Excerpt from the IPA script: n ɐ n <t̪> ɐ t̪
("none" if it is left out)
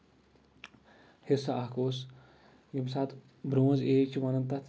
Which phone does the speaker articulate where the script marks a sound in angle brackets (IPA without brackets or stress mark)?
t̪